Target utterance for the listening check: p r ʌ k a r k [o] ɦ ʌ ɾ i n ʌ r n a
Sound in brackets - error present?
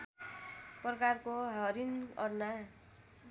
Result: no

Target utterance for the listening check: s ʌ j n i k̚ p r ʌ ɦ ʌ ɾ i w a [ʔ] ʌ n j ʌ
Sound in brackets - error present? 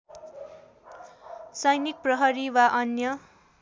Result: no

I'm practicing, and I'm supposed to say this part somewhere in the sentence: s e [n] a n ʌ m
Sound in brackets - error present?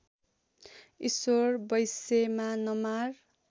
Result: yes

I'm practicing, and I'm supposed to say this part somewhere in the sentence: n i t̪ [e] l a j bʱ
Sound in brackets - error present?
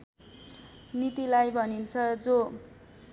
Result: yes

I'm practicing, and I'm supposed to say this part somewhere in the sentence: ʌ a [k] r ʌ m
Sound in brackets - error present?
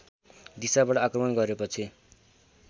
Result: no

